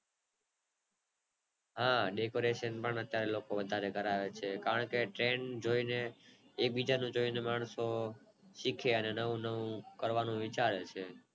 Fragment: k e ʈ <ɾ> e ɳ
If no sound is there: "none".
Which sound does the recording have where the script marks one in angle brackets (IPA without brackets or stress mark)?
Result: ɾ